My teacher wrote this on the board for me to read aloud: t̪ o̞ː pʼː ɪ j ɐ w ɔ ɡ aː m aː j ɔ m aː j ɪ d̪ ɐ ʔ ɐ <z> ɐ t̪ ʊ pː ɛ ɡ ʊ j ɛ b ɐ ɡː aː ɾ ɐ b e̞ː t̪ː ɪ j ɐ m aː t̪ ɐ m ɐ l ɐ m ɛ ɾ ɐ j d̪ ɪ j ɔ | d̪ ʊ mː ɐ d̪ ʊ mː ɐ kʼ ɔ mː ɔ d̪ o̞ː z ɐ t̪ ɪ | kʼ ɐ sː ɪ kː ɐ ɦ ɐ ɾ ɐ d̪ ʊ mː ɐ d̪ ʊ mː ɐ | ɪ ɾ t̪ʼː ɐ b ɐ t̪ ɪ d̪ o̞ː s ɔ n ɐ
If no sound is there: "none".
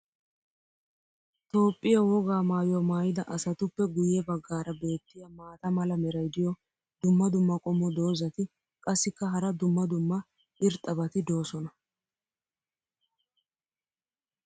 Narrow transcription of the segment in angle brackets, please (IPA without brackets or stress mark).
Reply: s